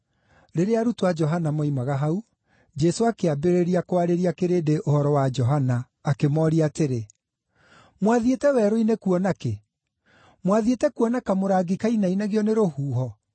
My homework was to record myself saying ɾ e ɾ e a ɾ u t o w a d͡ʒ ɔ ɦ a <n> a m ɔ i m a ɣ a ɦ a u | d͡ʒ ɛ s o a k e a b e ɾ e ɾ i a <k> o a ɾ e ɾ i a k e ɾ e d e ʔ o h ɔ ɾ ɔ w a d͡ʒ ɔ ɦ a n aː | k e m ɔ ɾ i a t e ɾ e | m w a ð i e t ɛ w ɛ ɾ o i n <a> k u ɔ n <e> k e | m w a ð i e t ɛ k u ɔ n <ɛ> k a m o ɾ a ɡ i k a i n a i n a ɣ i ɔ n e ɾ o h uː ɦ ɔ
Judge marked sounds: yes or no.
yes, yes, no, no, no

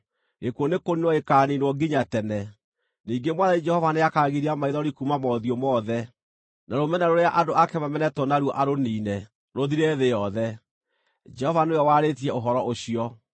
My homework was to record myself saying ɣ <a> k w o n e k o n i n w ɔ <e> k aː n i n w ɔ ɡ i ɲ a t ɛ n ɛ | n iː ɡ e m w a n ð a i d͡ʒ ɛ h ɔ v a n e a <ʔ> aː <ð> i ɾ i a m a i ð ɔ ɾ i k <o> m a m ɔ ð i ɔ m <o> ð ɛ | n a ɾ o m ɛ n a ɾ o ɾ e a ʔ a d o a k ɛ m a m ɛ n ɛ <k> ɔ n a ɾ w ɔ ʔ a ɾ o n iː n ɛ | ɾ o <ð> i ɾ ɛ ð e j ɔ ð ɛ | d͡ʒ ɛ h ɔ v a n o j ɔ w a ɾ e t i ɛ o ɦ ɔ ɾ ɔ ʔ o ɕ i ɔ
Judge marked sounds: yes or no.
no, yes, no, no, no, no, no, yes

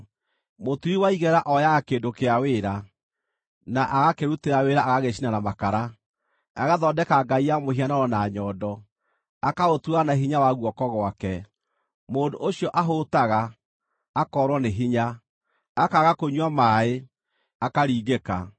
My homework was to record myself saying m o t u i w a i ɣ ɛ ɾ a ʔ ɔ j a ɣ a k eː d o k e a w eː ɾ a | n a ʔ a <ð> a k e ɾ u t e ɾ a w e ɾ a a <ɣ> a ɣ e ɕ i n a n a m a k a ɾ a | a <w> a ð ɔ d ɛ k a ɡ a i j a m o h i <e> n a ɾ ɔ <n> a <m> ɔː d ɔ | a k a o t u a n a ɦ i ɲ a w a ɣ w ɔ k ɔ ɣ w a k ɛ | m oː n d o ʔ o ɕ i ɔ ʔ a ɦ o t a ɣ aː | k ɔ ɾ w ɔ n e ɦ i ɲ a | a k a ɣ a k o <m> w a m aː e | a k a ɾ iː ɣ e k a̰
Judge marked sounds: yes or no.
no, yes, no, no, yes, no, no

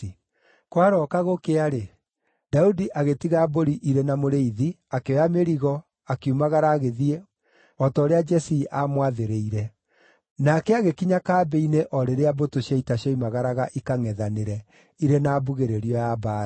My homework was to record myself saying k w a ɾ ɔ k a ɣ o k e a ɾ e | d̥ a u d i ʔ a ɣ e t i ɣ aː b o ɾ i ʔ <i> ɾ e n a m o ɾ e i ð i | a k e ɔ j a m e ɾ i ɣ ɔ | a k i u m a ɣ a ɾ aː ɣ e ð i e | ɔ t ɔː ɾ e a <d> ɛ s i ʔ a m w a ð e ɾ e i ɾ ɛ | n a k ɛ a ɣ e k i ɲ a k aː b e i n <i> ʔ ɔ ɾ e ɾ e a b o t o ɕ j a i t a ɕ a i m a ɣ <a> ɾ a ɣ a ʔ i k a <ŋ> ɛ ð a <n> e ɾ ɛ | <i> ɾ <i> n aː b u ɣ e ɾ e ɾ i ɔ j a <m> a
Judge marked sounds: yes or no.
yes, no, no, yes, yes, yes, yes, no, no

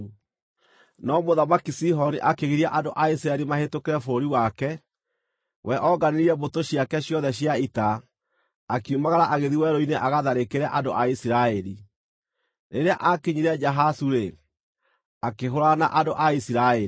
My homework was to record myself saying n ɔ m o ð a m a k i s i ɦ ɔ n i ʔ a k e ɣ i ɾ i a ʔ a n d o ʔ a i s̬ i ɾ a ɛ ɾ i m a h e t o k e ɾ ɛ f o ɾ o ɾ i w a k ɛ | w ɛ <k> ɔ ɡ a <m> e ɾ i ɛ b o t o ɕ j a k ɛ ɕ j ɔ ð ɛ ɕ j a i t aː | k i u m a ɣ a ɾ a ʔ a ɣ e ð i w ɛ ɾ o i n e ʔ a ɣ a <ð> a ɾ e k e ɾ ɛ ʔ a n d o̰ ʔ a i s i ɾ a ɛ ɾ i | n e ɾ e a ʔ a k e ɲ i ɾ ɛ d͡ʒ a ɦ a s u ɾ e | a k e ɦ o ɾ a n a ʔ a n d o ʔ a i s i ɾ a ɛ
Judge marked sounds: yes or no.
no, no, yes

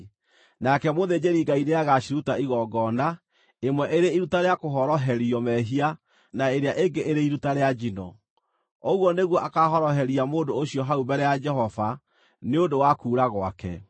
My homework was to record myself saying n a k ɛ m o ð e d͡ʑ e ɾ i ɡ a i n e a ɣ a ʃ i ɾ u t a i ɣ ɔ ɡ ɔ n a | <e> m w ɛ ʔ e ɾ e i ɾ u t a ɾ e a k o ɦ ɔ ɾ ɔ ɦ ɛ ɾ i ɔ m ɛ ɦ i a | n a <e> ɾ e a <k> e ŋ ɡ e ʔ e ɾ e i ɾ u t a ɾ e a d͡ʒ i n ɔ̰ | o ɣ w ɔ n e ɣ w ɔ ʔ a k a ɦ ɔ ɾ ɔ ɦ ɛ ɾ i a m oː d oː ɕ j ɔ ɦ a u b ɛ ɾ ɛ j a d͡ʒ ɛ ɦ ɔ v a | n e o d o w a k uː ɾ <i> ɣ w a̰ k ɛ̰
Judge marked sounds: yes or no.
yes, yes, no, no

